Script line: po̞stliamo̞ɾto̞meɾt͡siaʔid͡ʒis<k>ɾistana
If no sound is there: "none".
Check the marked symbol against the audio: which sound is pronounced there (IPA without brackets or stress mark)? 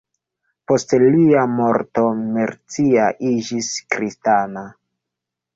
k